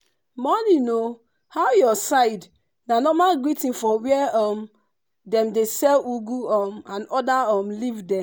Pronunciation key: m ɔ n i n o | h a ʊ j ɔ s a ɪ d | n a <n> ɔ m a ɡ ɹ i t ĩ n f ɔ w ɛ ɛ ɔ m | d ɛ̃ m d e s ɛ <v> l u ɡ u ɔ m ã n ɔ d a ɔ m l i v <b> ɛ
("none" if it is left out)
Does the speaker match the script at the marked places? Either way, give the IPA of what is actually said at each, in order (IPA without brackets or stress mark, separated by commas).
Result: n, none, d